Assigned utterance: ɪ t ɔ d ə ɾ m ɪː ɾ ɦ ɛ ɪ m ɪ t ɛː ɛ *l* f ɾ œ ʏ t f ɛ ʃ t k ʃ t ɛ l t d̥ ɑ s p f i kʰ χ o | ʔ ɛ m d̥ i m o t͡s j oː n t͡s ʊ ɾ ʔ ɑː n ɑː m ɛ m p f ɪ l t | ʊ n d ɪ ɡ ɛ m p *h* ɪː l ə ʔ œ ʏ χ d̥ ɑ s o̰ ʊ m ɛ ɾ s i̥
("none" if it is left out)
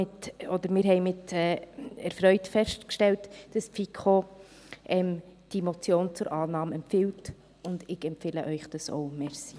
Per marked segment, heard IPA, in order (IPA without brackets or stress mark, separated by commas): ɾ, f